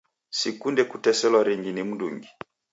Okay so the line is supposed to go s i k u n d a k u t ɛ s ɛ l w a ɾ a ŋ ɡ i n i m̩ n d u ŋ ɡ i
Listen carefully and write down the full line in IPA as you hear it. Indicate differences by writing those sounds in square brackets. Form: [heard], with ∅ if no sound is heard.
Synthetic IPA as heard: s i k u n d [ɛ] k u t ɛ s ɛ l w a ɾ [i] ŋ ɡ i n i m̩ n d u ŋ ɡ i